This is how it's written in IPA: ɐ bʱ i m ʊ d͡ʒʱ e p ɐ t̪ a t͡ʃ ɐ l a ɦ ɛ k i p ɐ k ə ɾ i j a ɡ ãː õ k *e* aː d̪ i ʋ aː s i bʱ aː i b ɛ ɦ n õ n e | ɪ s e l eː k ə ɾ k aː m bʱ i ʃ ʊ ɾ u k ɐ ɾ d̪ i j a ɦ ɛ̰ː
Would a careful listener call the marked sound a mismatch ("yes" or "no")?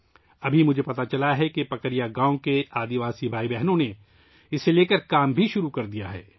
no